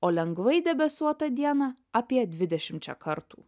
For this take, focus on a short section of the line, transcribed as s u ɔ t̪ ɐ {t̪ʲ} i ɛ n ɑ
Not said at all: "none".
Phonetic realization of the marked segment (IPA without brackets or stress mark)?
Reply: d̪ʲ